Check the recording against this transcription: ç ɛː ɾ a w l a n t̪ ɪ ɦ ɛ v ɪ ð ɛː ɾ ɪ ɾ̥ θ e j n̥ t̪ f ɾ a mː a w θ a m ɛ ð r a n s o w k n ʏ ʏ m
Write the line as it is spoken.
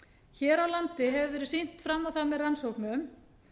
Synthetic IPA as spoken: ç ɛː ɾ a w l a n t̪ ɪ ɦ ɛ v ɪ v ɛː ɾ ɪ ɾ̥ s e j n̥ t̪ f ɾ a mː a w θ a m ɛ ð r a n s o w k n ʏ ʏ m